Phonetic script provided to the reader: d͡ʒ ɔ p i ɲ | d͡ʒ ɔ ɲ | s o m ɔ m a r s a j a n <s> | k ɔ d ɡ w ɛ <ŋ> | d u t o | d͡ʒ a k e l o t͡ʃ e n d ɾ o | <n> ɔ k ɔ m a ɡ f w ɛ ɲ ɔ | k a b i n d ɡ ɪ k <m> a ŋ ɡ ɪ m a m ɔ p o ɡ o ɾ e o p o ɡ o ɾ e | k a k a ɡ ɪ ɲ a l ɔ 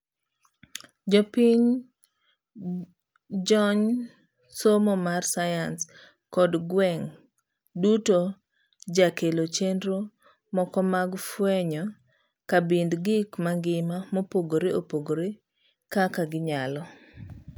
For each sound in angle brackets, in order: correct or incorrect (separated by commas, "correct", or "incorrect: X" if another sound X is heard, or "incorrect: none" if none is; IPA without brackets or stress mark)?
correct, correct, incorrect: m, correct